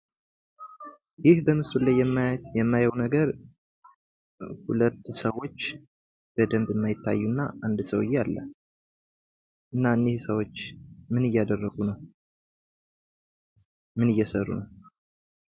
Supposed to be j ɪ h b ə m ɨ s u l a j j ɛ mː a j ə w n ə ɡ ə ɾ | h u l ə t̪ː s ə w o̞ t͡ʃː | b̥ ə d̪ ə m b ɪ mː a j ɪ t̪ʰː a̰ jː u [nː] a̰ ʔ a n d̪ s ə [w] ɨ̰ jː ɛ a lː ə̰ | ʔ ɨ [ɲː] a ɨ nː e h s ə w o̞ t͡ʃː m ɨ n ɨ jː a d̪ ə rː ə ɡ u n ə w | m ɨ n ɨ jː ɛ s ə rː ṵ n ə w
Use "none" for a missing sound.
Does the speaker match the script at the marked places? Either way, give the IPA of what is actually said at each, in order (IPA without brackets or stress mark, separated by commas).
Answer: nː, w, nː